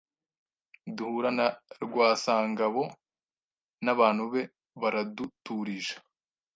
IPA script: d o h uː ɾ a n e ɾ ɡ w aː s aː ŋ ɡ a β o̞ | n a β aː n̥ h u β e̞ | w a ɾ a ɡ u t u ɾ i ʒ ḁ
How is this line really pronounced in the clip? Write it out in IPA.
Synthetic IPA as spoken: d u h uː ɾ a n a ɾ ɡ w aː s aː ŋ ɡ a β o̞ | n a β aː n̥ h u β e̞ | β a ɾ a d u t u ɾ i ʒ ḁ